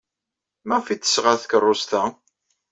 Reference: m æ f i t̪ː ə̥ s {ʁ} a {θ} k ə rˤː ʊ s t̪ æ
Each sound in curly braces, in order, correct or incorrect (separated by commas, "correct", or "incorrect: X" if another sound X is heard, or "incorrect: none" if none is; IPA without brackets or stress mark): correct, correct